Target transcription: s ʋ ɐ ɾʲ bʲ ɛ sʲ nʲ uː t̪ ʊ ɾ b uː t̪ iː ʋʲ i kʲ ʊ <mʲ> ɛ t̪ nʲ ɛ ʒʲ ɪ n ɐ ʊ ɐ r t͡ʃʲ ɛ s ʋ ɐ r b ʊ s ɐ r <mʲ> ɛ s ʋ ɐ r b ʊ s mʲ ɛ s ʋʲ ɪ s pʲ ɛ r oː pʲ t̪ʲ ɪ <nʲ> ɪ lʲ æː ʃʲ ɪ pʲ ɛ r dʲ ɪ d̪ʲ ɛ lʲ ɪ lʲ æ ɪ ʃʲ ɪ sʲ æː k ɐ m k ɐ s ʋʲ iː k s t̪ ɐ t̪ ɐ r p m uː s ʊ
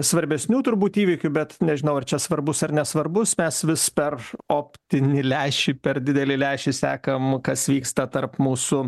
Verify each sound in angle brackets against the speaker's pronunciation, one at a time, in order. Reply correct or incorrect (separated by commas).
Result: incorrect, incorrect, correct